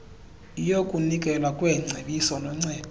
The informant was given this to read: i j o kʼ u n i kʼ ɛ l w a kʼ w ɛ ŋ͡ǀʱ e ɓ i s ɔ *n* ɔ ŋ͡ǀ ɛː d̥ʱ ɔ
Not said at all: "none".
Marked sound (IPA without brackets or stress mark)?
n